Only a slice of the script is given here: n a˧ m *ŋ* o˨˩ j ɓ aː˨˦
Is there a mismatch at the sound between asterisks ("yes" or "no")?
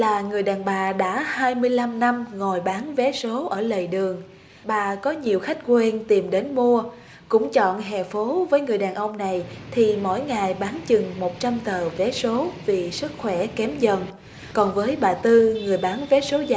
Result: no